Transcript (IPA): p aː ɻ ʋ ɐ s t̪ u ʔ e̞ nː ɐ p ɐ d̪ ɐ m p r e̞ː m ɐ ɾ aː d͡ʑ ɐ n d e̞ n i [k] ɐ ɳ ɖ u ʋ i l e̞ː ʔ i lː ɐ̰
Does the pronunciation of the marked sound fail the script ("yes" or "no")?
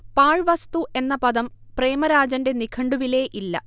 yes